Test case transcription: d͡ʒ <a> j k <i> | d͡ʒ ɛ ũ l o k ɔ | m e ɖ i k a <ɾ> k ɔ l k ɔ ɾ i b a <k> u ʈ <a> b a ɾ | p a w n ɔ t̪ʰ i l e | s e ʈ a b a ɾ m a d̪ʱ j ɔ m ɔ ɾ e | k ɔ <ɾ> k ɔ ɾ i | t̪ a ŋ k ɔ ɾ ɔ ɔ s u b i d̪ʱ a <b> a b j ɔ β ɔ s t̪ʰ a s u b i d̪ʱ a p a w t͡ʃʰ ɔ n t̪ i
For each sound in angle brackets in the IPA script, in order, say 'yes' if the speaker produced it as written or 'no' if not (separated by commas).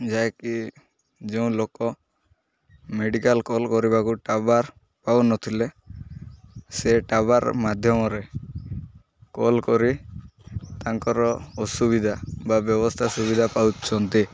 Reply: yes, yes, no, yes, yes, no, yes